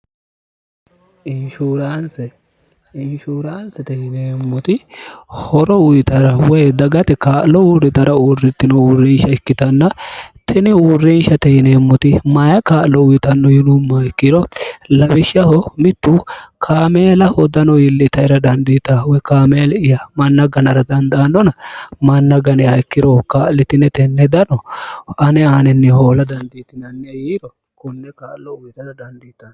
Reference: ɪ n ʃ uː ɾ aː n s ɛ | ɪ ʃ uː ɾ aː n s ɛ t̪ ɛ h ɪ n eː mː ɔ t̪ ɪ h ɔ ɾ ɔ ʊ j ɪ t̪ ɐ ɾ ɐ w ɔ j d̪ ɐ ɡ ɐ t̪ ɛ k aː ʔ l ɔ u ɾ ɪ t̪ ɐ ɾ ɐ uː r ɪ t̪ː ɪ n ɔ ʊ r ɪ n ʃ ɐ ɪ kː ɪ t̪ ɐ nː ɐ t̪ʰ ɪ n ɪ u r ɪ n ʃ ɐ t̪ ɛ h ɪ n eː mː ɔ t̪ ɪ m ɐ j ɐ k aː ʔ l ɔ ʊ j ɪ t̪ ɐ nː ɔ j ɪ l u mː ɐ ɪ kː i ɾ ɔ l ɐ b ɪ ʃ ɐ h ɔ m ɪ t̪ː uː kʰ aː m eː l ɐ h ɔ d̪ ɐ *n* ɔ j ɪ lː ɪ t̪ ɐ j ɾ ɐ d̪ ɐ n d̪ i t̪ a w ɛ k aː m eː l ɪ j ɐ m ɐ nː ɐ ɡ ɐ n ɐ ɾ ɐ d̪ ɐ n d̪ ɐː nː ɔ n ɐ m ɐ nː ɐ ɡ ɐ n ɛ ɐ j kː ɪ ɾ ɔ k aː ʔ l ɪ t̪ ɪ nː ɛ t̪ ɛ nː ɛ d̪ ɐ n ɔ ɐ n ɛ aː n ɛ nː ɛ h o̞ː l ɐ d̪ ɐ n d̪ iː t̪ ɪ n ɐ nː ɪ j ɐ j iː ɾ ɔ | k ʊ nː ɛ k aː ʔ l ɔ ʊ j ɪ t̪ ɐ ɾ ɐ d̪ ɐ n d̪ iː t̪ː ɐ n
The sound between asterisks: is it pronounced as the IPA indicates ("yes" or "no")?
yes